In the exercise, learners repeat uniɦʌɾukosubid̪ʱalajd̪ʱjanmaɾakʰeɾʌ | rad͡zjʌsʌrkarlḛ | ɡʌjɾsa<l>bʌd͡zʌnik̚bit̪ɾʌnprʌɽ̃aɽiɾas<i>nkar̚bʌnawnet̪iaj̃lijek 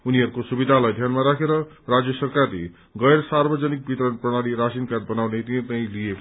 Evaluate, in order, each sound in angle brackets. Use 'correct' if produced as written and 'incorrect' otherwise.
incorrect, correct

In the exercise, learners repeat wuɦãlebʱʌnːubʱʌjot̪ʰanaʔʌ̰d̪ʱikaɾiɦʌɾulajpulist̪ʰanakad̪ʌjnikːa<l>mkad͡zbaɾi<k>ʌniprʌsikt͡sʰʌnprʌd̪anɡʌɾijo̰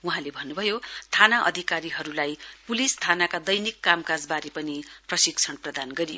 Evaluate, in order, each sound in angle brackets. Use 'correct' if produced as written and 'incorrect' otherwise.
incorrect, incorrect

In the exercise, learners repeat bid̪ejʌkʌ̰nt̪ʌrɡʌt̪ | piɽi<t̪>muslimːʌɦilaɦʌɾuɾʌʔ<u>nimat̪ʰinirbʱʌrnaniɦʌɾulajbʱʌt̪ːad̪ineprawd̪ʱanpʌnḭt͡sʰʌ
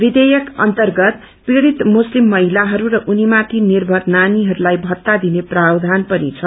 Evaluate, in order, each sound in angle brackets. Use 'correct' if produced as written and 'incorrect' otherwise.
correct, correct

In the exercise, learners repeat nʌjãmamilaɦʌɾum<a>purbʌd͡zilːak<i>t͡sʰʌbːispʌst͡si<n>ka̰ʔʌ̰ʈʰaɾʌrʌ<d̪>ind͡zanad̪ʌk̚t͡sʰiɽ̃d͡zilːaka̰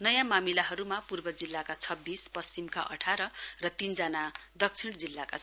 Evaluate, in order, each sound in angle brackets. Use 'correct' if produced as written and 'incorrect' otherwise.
correct, incorrect, incorrect, incorrect

